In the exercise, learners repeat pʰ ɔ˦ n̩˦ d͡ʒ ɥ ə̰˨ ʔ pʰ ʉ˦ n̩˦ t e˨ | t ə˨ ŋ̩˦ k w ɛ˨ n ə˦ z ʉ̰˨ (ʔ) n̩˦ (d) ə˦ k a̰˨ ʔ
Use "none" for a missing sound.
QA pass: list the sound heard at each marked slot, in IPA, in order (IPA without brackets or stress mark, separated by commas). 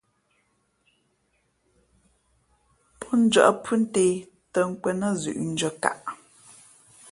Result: ʔ, d͡ʒ